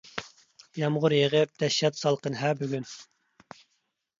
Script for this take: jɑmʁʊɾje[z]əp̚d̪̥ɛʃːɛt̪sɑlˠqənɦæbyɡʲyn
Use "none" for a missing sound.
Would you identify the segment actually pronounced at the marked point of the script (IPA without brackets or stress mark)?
ʁ